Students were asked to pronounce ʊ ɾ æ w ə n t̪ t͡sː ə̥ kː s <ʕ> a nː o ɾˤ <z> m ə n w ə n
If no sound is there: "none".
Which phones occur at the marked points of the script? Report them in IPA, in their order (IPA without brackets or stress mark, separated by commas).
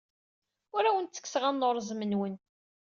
ʁ, z